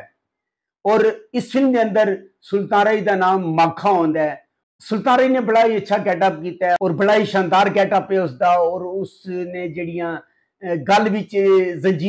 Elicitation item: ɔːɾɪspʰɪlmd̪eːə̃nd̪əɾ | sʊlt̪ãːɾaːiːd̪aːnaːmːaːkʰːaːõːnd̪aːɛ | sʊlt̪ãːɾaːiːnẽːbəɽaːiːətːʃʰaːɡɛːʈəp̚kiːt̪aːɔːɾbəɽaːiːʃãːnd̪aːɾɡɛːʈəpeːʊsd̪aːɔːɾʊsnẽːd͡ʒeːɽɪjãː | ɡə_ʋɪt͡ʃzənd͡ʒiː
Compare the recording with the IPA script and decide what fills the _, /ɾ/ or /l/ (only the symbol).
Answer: l